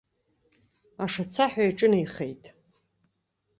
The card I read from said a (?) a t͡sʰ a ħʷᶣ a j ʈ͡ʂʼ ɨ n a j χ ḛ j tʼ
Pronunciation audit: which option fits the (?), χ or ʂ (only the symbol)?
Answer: ʂ